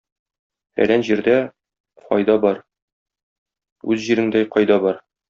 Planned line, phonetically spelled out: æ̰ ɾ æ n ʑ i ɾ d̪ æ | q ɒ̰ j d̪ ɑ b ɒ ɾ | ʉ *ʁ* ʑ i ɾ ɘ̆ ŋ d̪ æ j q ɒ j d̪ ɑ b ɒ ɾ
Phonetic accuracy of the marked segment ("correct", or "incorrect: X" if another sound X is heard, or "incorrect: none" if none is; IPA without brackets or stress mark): incorrect: z